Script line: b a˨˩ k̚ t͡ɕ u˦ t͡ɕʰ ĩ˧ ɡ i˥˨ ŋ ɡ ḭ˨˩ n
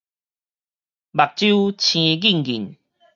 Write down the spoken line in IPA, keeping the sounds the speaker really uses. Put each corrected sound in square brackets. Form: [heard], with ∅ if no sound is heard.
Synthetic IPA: b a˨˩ k̚ t͡ɕ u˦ t͡ɕʰ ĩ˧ ɡ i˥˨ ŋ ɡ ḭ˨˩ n

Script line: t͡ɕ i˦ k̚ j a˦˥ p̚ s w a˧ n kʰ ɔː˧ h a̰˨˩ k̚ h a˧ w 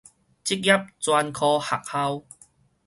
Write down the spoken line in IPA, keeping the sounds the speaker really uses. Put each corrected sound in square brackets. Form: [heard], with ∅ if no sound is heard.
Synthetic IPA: t͡ɕ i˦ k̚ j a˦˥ p̚ [t͡s] w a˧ n kʰ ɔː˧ h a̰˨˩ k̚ h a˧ w

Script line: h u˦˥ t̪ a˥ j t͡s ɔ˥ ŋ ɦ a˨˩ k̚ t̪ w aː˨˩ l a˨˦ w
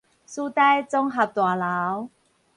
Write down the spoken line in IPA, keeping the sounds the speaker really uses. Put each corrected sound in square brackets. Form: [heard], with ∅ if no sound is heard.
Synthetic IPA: [s] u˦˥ t̪ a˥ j t͡s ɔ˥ ŋ ɦ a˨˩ [p̚] t̪ w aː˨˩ l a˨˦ w

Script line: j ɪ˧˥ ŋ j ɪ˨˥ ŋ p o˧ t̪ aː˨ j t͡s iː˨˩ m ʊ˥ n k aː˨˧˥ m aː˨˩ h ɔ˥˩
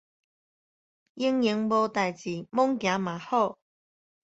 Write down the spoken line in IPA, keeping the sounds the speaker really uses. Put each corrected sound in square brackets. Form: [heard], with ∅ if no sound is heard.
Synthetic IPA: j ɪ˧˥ ŋ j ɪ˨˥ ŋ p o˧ t̪ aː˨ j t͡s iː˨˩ m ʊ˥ [ŋ] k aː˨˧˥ m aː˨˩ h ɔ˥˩

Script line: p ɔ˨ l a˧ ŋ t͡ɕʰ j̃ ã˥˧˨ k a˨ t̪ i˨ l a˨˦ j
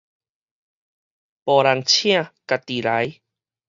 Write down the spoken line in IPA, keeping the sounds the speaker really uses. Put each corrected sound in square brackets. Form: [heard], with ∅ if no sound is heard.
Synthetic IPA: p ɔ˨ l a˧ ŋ t͡ɕʰ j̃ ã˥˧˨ k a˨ t̪ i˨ l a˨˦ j

